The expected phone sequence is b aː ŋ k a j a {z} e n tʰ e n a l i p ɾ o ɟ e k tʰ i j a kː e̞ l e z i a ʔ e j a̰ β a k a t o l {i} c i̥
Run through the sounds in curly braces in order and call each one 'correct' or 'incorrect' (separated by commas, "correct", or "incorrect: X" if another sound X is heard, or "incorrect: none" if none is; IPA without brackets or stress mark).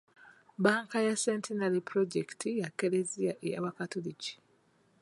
incorrect: s, correct